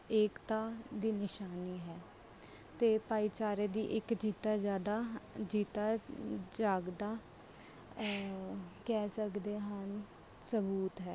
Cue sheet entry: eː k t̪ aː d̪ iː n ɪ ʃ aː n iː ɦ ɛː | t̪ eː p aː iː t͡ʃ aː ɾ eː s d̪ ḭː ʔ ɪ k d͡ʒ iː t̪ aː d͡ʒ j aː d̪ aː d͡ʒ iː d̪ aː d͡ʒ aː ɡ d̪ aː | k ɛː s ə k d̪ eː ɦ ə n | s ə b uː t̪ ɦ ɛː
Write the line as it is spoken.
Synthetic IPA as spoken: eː k t̪ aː d̪ iː n ɪ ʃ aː n iː ɦ ɛː | t̪ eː p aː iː t͡ʃ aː ɾ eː d̪ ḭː ʔ ɪ k d͡ʒ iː t̪ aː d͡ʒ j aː d̪ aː d͡ʒ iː t̪ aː d͡ʒ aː ɡ d̪ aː | k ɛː s ə k d̪ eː ɦ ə n | s ə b uː t̪ ɦ ɛː